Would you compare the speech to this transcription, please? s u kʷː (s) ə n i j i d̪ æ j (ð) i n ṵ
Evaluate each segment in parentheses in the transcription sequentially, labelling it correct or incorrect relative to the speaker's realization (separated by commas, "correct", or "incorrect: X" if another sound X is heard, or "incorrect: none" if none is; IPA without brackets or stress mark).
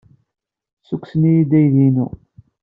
correct, correct